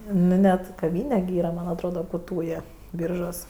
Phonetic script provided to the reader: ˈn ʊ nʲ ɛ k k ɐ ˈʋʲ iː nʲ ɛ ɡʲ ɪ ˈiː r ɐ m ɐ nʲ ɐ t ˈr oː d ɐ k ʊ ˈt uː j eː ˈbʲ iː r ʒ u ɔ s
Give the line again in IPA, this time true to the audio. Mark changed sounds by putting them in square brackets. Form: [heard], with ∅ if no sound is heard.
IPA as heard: ˈn ʊ nʲ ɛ [t] k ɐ ˈʋʲ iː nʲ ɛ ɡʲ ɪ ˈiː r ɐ m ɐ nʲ ɐ t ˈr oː d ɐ k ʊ ˈt uː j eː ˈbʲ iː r ʒ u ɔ s